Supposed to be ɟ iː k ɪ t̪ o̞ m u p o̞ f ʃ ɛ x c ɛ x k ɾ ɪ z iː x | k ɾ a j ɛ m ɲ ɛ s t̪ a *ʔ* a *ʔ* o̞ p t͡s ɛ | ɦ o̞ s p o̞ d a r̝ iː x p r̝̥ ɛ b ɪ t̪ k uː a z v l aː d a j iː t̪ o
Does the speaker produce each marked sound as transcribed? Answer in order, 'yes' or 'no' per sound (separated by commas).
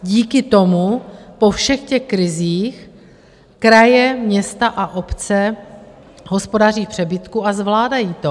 yes, yes